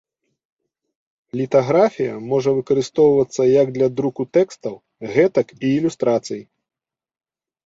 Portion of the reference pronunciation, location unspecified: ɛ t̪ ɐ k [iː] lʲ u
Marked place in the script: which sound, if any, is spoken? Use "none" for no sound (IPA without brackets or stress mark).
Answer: iː